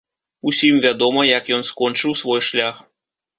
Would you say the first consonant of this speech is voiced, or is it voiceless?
voiceless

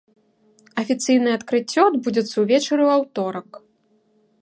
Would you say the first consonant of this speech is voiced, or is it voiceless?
voiceless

